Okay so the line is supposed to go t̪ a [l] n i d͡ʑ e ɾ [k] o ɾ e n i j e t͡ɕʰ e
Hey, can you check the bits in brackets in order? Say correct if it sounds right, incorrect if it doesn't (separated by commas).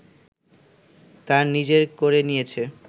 incorrect, correct